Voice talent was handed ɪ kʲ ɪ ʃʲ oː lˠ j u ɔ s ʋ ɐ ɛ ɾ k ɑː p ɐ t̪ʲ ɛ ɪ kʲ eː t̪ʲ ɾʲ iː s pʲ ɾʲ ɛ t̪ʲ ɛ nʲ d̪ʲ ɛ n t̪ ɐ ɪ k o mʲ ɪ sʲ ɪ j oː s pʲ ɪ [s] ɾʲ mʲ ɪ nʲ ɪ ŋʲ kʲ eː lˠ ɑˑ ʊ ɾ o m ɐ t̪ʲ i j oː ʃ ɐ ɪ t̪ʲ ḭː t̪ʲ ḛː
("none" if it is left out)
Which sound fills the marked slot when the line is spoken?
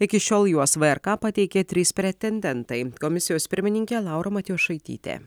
none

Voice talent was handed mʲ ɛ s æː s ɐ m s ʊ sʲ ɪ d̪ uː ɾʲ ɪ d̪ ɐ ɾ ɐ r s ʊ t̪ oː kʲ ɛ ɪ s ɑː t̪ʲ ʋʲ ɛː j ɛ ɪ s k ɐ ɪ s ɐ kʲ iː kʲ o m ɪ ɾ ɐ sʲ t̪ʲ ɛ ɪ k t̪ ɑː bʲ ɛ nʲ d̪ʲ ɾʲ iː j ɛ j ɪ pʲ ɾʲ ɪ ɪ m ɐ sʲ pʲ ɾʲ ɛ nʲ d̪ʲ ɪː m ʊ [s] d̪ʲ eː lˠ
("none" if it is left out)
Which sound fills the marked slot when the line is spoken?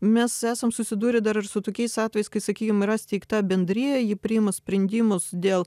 s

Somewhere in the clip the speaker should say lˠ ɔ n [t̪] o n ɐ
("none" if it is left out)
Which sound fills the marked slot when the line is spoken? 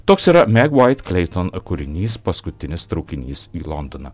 d̪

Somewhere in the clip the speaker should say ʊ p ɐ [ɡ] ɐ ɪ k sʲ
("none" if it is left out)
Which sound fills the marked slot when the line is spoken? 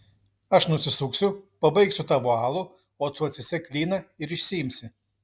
b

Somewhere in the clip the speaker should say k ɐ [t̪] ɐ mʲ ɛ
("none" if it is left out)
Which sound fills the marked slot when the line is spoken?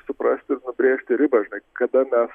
d̪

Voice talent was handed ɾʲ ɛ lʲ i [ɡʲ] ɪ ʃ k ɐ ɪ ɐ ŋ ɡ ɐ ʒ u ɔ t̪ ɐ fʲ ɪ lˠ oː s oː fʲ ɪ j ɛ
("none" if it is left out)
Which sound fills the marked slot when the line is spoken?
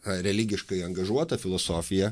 ɡʲ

